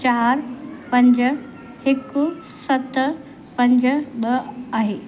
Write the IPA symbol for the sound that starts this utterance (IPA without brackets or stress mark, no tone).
t͡ɕ